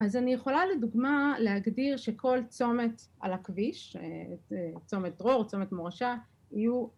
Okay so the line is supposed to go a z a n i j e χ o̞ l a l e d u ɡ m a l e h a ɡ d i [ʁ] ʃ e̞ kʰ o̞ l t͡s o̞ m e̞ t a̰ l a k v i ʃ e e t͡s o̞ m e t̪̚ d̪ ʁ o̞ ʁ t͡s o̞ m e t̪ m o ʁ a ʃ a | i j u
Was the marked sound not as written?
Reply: no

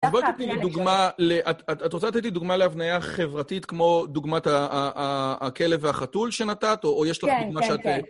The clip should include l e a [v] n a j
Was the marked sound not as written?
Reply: no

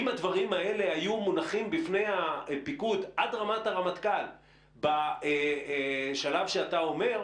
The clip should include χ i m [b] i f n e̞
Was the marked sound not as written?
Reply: no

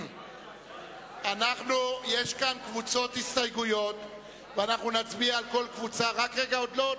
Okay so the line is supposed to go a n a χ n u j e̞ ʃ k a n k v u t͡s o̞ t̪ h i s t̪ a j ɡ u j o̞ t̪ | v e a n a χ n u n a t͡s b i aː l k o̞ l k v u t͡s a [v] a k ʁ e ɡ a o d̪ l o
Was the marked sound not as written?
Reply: yes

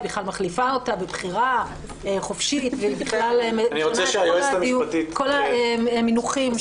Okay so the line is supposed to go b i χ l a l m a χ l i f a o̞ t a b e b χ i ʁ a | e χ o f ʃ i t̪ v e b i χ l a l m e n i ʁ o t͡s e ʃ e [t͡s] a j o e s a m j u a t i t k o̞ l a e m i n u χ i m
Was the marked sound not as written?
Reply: yes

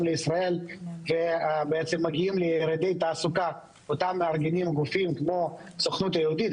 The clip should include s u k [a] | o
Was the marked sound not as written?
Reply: no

